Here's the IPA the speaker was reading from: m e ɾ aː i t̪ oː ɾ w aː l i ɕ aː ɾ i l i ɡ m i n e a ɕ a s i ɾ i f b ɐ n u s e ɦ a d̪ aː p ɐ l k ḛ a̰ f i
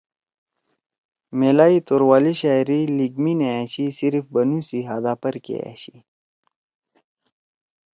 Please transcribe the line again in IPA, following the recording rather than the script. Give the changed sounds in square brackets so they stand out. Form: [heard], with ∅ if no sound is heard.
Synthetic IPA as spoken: m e [l] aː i t̪ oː ɾ w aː l i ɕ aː ɾ i l i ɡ m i n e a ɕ [i] s i ɾ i f b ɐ n u s [i] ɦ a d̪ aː p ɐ [ɾ] k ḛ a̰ [ɕ] i